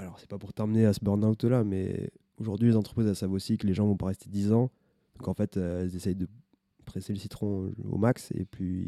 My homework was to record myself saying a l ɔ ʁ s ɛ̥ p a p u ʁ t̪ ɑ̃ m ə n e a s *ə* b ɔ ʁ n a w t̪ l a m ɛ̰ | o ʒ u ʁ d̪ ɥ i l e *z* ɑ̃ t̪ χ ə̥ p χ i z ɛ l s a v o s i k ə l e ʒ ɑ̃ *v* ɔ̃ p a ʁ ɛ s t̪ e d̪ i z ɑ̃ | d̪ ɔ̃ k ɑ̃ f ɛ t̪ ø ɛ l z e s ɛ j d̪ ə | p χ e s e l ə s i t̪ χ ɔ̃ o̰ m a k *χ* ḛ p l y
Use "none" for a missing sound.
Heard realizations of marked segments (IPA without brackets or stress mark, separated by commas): ə, z, v, s